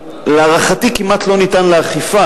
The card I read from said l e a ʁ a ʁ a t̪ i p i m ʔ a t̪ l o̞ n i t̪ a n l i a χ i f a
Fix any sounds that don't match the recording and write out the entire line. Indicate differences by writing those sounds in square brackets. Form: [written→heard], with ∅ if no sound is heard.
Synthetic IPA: l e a ʁ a [ʁ→χ] a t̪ i [p→k] i m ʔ a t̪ l o̞ n i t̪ a n l [i→e] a χ i f a